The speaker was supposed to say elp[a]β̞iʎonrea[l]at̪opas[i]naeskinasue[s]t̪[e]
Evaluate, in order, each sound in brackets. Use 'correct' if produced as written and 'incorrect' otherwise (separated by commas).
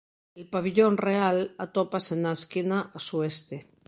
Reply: correct, correct, incorrect, correct, correct